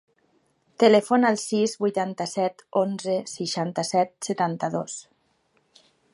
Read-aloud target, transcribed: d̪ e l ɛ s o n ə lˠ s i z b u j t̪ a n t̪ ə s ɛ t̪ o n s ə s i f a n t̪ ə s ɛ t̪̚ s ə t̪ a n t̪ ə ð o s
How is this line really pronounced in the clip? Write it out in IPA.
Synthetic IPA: t̪ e l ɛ f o n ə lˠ s i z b u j t̪ a n t̪ ə s ɛ t̪ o n z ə s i ʃ a n t̪ ə s ɛ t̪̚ s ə t̪ a n t̪ ə ð o s